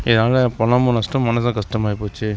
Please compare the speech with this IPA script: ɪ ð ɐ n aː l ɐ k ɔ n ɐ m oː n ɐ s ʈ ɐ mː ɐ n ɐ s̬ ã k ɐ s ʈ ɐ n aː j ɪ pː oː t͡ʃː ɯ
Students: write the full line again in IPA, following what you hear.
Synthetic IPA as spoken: ɪ ð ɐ n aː l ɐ p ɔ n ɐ m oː n ɐ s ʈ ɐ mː ɐ n ɐ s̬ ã k ɐ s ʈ ɐ m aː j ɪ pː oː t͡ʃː ɯ